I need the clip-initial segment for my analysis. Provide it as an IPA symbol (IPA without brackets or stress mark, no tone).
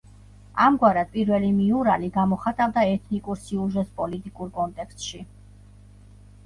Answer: a